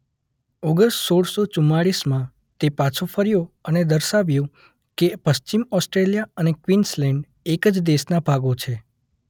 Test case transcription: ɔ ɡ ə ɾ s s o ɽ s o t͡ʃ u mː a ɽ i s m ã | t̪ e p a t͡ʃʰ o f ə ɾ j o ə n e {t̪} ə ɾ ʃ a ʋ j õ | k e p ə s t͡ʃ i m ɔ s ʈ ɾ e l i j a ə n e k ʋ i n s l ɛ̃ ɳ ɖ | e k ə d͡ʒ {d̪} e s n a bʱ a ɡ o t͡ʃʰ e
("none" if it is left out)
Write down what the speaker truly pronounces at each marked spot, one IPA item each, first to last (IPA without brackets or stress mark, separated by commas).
d̪, d̪